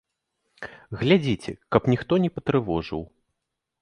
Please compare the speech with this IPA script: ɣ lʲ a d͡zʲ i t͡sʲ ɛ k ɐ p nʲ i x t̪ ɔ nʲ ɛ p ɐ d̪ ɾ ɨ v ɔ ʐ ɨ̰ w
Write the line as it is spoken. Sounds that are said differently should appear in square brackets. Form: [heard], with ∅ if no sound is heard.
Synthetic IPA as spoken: ɣ lʲ a d͡zʲ i t͡sʲ ɛ k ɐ p nʲ i x t̪ ɔ nʲ ɛ p ɐ [t̪] ɾ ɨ v ɔ ʐ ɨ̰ w